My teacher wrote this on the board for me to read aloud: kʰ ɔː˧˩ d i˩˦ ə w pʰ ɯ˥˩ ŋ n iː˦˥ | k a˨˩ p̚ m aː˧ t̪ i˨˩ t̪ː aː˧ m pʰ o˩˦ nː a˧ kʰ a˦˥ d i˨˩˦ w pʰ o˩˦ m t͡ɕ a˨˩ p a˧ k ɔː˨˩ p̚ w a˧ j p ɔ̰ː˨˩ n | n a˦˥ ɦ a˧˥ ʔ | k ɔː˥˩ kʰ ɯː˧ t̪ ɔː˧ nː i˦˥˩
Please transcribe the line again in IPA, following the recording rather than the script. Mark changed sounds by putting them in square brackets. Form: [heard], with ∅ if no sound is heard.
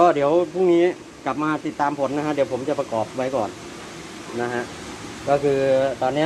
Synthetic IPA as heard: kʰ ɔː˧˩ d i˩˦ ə w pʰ [u˥˩] ŋ n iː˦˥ | k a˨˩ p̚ m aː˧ t̪ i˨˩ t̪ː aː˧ m pʰ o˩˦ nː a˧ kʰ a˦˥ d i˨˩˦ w pʰ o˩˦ m t͡ɕ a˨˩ p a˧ k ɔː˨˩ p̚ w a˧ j [k] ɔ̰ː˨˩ n | n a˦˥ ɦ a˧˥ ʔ | k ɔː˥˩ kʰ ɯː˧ t̪ ɔː˧ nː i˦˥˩